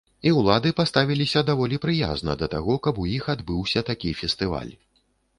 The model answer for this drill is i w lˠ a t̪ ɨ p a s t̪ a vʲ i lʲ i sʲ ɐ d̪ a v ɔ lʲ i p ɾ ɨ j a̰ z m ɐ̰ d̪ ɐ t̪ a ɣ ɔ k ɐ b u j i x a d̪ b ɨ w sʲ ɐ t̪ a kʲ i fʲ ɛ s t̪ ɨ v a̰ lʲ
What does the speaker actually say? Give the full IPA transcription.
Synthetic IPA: i w lˠ a d̪ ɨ p a s t̪ a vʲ i lʲ i sʲ ɐ d̪ a v ɔ lʲ i p ɾ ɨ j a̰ z n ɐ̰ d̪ ɐ t̪ a ɣ ɔ k ɐ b u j i x a d̪ b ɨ w sʲ ɐ t̪ a kʲ i fʲ ɛ s t̪ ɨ v a̰ lʲ